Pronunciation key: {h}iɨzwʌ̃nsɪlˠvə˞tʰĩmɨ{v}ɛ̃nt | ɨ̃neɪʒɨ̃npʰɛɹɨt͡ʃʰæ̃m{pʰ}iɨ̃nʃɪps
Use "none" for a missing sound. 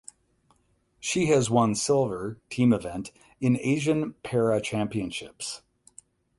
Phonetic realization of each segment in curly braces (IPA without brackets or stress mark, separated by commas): ʃ, v, p